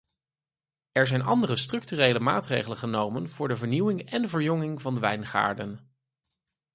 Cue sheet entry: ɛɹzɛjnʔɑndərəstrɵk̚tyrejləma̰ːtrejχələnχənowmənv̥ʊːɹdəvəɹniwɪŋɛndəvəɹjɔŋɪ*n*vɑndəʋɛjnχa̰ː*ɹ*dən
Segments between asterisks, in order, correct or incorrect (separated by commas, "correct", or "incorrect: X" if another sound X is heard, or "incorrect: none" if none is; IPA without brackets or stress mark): incorrect: ŋ, correct